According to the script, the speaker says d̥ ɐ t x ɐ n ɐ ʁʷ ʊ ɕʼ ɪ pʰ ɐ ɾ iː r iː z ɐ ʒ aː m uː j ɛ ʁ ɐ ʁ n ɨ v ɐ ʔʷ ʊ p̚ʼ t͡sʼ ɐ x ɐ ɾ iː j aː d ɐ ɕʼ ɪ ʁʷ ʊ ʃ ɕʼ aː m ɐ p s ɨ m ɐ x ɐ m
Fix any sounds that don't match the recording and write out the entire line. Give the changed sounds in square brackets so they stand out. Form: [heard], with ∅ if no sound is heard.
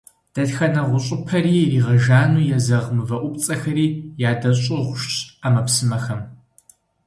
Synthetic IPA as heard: d̥ ɐ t x ɐ n ɐ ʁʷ ʊ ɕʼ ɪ pʰ ɐ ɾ iː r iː [ʁ] ɐ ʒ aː [n] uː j ɛ [z] ɐ ʁ [m] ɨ v ɐ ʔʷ ʊ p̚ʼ t͡sʼ ɐ x ɐ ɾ iː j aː d ɐ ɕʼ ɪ ʁʷ ʊ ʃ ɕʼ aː m ɐ p s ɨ m ɐ x ɐ m